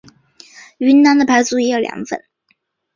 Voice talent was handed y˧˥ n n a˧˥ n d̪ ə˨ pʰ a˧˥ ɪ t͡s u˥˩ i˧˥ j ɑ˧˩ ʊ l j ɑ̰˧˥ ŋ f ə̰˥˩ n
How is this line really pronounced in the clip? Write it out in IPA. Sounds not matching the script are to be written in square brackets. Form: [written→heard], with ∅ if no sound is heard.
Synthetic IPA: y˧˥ n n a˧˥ n d̪ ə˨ pʰ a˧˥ ɪ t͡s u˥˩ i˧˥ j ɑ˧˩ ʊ l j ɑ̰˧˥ ŋ f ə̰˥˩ n